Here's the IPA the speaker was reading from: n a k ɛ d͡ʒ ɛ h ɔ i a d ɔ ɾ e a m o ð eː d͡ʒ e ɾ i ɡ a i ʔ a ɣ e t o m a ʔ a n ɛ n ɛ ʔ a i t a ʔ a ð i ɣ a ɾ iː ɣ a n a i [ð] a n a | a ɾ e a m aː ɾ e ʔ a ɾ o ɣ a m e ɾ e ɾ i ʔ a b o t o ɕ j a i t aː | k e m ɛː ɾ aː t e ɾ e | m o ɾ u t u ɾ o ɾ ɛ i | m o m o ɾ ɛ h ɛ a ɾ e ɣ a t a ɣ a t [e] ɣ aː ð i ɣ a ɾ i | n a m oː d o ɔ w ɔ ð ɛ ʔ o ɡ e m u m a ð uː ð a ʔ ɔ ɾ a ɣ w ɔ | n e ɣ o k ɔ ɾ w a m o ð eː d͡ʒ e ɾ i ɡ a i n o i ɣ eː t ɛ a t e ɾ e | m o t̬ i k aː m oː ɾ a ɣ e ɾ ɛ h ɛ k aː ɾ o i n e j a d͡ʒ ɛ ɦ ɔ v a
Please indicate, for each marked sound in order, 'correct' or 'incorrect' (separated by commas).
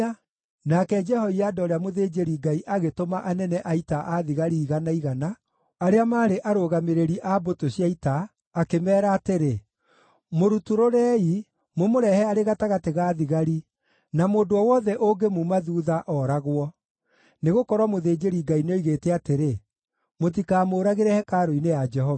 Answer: incorrect, correct